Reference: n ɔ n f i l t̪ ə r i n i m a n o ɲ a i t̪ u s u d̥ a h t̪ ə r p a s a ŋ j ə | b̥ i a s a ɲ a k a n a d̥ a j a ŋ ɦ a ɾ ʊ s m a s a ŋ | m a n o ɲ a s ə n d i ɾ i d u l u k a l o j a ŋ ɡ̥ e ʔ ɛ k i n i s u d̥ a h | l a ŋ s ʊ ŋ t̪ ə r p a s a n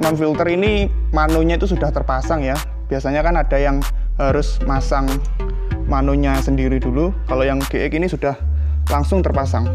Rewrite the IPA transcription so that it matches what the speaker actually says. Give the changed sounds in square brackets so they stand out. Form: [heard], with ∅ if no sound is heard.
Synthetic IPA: n ɔ n f i l t̪ ə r i n i m a n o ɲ a i t̪ u s u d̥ a h t̪ ə r p a s a ŋ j [a] | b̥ i a s a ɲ a k a n a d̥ a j a ŋ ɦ a ɾ ʊ s m a s a ŋ | m a n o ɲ a s ə n d i ɾ i d u l u k a l o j a ŋ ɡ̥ e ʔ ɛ k i n i s u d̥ a h | l a ŋ s ʊ ŋ t̪ ə r p a s a [ŋ]